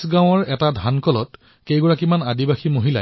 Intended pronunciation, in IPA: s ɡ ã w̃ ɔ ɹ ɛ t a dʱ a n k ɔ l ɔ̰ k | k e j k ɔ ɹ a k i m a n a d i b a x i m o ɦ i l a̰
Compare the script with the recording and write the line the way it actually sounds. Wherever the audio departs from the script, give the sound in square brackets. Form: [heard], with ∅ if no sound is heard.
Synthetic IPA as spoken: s ɡ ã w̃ ɔ ɹ ɛ t a dʱ a n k ɔ l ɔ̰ [t] | k e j [ɡ] ɔ ɹ a k i m a n a d i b a x i m o ɦ i l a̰

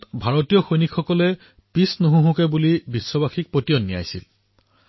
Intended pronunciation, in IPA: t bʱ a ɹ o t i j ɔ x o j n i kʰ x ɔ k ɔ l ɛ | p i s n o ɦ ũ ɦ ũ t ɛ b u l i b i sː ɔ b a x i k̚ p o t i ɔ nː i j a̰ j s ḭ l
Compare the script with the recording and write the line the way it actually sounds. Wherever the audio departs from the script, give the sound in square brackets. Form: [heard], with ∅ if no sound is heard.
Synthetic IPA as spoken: t bʱ a ɹ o t i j ɔ x o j n i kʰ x ɔ k ɔ l ɛ | p i s n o ɦ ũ ɦ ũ [k] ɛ b u l i b i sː ɔ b a x i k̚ p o t i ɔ nː i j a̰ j s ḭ l

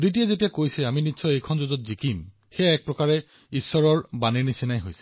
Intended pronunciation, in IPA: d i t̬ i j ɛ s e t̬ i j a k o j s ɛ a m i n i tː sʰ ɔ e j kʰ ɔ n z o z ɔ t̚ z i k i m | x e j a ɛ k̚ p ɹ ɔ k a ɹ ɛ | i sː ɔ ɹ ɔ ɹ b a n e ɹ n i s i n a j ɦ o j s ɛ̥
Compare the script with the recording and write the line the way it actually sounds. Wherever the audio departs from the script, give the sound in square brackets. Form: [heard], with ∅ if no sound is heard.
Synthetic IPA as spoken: d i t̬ i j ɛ [z] e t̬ i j a k o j s ɛ a m i n i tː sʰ ɔ e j kʰ ɔ n z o z ɔ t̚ z i k i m | x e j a ɛ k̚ p ɹ ɔ k a ɹ ɛ | i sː ɔ ɹ ɔ ɹ b a n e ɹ n i s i n a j ɦ o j s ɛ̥

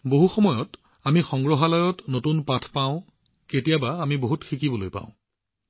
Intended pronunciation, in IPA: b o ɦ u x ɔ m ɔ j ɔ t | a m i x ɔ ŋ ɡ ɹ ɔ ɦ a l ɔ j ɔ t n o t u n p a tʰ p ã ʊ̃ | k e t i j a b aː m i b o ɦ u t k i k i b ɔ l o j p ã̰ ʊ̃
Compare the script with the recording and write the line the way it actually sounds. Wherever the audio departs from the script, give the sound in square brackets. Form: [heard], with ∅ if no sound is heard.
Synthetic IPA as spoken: b o ɦ u x ɔ m ɔ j ɔ t | a m i x ɔ ŋ ɡ ɹ ɔ ɦ a l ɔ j ɔ t n o t u n p a tʰ p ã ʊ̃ | k e t i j a b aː m i b o ɦ u t [x] i k i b ɔ l o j p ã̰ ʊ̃

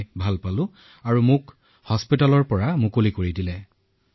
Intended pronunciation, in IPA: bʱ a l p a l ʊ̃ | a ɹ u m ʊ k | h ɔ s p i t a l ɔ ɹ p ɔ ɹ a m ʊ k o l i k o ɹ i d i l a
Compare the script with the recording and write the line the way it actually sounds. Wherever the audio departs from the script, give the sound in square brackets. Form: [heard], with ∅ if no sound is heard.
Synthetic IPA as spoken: bʱ a l p a l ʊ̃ | a ɹ u m ʊ k | h ɔ s p i t a l ɔ ɹ p ɔ ɹ a m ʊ k o l i k o ɹ i d i l [ɛ]

